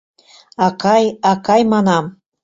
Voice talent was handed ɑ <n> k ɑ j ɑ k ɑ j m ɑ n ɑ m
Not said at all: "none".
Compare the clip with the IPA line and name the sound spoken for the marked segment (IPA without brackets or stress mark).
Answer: none